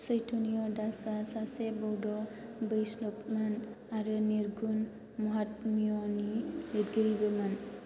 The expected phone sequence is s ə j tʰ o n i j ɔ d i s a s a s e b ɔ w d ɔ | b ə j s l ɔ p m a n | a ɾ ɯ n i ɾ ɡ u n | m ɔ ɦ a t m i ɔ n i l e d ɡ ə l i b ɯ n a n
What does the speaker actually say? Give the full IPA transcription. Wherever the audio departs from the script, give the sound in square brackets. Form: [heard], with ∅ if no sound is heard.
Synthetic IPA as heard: s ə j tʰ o n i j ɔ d [a] s a s a s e b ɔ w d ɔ | b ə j s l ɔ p m a n | a ɾ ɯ n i ɾ ɡ u n | m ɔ ɦ a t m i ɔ n i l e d ɡ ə [ɾ] i b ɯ [m] a n

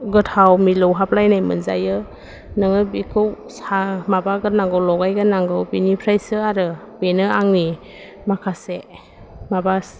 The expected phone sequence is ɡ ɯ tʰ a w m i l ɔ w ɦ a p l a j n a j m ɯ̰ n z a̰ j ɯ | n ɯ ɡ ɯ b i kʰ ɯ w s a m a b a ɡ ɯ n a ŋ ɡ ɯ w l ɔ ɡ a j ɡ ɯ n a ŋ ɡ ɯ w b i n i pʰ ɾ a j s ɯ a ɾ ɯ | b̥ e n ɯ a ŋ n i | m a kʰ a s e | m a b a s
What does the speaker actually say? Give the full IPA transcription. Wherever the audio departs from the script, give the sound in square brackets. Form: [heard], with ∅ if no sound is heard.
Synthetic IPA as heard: ɡ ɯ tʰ a w m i l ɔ w ɦ a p l a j n a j m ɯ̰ n z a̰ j ɯ | n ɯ [ŋ] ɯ b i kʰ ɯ w s a m a b a ɡ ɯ n a ŋ ɡ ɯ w l ɔ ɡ a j ɡ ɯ n a ŋ ɡ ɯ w b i n i pʰ ɾ a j s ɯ a ɾ ɯ | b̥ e n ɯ a ŋ n i | m a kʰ a s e | m a b a s

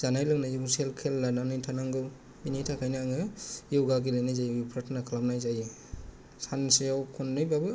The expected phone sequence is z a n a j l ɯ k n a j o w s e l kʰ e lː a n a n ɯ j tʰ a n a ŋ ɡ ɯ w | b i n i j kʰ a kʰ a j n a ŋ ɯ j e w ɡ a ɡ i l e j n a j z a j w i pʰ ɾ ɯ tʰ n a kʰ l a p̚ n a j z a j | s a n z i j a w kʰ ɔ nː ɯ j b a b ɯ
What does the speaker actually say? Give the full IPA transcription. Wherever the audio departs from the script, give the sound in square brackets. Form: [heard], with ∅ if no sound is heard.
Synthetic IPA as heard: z a n a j l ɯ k n a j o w s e l kʰ e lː a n a n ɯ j tʰ a n a ŋ ɡ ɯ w | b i n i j [tʰ] a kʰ a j n a ŋ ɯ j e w ɡ a ɡ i l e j n a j z a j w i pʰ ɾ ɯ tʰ n a kʰ l a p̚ n a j z a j | s a n [s] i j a w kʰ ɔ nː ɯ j b a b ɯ

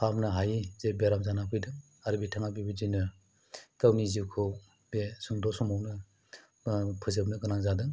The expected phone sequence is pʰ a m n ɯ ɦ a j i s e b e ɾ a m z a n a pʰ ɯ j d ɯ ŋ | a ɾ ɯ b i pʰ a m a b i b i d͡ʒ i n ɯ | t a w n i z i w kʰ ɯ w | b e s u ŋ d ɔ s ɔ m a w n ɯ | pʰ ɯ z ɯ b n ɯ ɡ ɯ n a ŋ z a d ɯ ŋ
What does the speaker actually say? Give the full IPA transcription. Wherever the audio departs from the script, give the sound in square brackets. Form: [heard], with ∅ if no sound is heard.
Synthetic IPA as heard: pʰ a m n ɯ ɦ a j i [z] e b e ɾ a m z a n a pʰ ɯ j d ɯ ŋ | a ɾ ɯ b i [tʰ] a [ŋ] a b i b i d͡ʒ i n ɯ | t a w n i z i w kʰ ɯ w | b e s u ŋ d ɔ s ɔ m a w n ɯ | pʰ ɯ z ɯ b n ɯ ɡ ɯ n a ŋ z a d ɯ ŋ

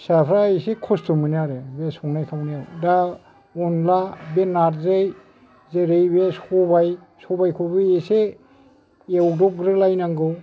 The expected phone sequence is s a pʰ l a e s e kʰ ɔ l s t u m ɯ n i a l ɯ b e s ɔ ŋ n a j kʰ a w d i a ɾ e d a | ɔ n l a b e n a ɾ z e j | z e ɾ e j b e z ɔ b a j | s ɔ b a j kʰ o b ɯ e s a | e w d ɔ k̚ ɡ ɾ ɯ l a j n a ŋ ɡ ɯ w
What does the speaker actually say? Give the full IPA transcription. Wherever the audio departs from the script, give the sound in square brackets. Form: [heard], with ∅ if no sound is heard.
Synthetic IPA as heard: s a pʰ [ɾ] a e s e kʰ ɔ [∅] s t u m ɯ n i a [ɾ] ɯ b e s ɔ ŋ n a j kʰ a w [n] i a ɾ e d a | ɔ n l a b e n a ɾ z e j | z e ɾ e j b e [s] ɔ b a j | s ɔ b a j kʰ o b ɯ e s [e] | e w d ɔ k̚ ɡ ɾ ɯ l a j n a ŋ ɡ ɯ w

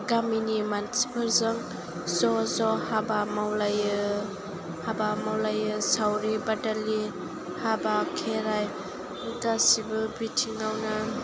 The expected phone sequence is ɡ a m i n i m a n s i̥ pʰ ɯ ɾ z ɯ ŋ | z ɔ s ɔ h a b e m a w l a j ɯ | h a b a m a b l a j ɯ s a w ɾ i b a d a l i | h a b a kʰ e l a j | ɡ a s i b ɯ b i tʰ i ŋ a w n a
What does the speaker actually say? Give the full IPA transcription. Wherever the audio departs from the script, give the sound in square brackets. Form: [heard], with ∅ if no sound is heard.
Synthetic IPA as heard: ɡ a m i n i m a n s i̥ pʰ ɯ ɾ z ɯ ŋ | z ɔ [z] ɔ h a b [a] m a w l a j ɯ | h a b a m a [w] l a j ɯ s a w ɾ i b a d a l i | h a b a kʰ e [ɾ] a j | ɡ a s i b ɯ b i tʰ i ŋ a w n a

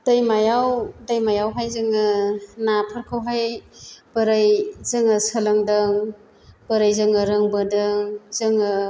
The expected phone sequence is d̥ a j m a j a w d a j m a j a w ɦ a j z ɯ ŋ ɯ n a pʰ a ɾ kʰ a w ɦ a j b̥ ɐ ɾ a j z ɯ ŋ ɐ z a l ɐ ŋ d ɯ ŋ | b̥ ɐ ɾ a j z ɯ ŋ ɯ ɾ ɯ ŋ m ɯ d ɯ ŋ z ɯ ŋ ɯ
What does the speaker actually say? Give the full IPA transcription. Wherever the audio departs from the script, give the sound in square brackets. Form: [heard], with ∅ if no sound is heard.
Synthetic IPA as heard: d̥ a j m a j a w d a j m a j a w ɦ a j z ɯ ŋ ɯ n a pʰ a ɾ kʰ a w ɦ a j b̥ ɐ ɾ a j z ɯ ŋ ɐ [s] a l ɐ ŋ d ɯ ŋ | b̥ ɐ ɾ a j z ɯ ŋ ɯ ɾ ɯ ŋ [b] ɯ d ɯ ŋ z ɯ ŋ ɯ

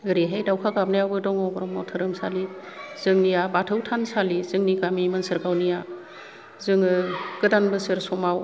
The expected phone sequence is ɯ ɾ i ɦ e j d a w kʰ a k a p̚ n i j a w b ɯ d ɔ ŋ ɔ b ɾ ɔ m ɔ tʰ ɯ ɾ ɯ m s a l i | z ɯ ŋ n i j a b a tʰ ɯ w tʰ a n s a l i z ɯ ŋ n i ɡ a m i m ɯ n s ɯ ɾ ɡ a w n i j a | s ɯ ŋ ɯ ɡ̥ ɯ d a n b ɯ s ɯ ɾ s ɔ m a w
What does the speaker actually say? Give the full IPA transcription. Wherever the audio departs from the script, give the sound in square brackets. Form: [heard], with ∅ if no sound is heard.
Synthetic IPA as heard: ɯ ɾ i ɦ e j d a w kʰ a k a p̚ n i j a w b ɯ d ɔ ŋ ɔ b ɾ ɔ m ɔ tʰ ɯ ɾ ɯ m s a l i | z ɯ ŋ n i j a b a tʰ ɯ w tʰ a n s a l i z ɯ ŋ n i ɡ a m i m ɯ n s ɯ ɾ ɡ a w n i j a | [z] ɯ ŋ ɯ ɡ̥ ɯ d a n b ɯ s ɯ ɾ s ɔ m a w

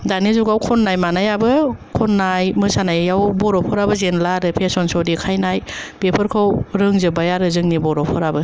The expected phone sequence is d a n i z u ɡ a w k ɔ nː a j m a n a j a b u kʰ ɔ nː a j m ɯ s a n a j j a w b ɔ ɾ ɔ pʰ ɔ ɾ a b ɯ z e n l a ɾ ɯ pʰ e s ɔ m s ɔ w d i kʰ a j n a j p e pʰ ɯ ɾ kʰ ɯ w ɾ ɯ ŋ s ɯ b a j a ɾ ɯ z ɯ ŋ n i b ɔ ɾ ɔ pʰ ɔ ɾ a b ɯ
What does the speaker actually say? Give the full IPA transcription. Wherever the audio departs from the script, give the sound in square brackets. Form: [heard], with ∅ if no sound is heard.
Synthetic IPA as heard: d a n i z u ɡ a w [kʰ] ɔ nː a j m a n a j a b [ɯ] kʰ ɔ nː a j m ɯ s a n a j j a w b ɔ ɾ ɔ pʰ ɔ ɾ a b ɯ z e n l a ɾ ɯ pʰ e s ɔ [n] s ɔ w d i kʰ a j n a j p e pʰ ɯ ɾ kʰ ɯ w ɾ ɯ ŋ [z] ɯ b a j a ɾ ɯ z ɯ ŋ n i b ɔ ɾ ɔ pʰ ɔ ɾ a b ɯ

